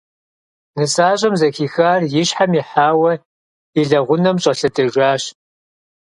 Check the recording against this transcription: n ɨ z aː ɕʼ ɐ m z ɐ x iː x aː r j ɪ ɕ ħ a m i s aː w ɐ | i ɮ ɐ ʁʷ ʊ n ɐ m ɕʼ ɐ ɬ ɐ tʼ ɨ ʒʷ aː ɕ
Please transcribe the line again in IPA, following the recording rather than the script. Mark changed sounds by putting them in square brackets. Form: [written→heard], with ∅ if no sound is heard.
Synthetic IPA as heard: n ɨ [z→s] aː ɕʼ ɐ m z ɐ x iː x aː r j ɪ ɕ ħ a m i [s→ħ] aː w ɐ | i ɮ ɐ ʁʷ ʊ n ɐ m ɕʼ ɐ ɬ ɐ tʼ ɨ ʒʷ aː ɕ